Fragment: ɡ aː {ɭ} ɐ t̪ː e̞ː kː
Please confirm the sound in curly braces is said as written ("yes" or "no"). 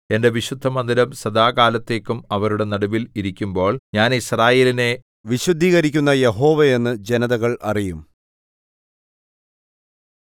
no